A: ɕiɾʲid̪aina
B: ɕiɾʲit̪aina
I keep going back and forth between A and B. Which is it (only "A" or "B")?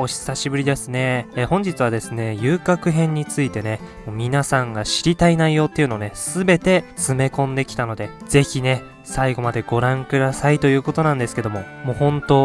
B